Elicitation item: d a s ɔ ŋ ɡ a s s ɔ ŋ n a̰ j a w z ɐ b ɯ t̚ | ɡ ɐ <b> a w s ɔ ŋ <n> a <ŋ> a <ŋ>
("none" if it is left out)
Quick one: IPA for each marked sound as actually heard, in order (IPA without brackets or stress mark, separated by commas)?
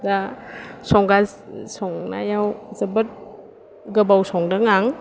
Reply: b, d, ŋ, ŋ